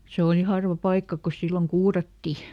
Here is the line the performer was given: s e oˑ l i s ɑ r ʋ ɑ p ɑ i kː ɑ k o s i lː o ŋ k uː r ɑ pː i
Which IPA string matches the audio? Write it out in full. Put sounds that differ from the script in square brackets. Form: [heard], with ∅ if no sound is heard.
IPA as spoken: s e oˑ l i [h] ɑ r ʋ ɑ p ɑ i kː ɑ k o s i lː o ŋ k uː r ɑ [tː] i